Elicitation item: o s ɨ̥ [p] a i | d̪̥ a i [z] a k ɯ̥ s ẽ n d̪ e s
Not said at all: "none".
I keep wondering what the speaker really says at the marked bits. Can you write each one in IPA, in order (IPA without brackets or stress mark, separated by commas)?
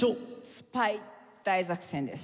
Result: p, z